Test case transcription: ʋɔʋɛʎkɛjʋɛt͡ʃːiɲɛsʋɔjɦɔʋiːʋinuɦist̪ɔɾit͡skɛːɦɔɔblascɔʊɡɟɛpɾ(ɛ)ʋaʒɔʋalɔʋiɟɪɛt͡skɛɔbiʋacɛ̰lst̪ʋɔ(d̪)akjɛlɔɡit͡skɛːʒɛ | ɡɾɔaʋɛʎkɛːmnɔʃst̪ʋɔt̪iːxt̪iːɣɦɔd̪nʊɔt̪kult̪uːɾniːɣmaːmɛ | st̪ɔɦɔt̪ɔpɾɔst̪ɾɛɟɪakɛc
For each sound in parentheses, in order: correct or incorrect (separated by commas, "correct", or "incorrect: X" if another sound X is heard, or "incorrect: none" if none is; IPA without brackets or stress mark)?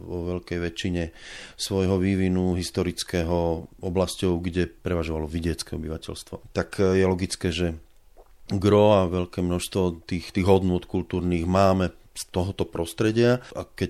correct, incorrect: t̪